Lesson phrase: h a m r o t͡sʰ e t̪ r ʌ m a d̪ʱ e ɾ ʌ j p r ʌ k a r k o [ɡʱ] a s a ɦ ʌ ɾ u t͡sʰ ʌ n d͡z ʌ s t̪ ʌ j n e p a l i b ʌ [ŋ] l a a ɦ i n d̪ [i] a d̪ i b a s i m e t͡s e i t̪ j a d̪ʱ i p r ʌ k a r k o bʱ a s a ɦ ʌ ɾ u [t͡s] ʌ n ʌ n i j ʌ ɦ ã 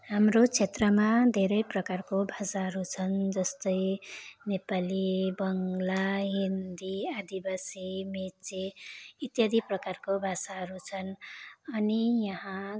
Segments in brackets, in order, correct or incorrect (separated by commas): incorrect, correct, correct, incorrect